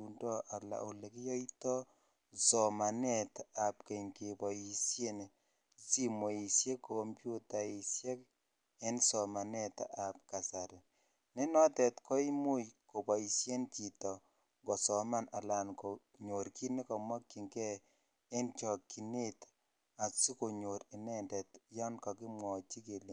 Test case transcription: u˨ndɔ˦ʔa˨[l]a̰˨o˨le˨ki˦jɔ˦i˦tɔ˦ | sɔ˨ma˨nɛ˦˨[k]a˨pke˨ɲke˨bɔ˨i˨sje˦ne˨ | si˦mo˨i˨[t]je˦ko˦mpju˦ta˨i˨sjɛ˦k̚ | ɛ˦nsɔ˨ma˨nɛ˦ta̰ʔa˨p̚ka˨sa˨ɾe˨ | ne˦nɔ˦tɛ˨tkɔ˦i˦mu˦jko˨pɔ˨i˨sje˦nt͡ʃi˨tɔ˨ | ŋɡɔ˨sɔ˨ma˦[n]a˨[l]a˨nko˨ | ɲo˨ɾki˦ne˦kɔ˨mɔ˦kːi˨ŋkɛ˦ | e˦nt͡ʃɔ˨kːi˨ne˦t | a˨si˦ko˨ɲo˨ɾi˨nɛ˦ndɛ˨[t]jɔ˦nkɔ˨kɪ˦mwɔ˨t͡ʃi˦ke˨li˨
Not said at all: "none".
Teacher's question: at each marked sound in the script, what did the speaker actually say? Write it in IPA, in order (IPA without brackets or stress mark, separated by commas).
l, t, s, n, l, t